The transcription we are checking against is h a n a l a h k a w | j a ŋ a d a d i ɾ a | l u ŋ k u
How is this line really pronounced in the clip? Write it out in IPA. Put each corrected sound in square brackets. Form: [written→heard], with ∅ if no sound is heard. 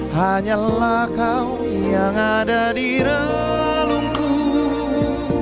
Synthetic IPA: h a [n→ɲ] a l a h k a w | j a ŋ a d a d i ɾ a | l u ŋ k u